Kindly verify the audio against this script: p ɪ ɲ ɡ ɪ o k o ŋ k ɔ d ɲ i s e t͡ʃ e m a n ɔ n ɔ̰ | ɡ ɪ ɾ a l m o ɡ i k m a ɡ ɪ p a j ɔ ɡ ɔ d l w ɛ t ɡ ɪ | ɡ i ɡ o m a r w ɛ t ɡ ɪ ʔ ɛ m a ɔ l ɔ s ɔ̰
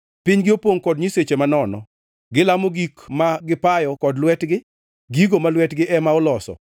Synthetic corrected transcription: p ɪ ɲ ɡ ɪ o p o ŋ k ɔ d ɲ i s e t͡ʃ e m a n ɔ n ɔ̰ | ɡ ɪ l a m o ɡ i k m a ɡ ɪ p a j ɔ k ɔ d l w ɛ t ɡ ɪ | ɡ i ɡ o m a l w ɛ t ɡ ɪ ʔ ɛ m a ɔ l ɔ s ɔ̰